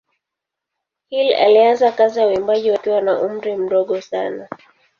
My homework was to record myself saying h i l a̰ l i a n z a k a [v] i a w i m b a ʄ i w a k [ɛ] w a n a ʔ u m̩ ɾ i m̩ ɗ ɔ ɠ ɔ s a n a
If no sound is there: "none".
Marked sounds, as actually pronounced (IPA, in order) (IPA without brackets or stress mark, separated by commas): z, i